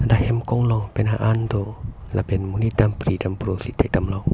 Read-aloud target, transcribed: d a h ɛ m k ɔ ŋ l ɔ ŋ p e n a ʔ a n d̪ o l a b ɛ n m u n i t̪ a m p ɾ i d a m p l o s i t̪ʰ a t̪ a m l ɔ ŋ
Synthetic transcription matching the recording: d a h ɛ m k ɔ ŋ l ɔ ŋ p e n a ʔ a n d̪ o l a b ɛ n m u n i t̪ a m p ɾ i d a m p ɾ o s i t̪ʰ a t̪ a m l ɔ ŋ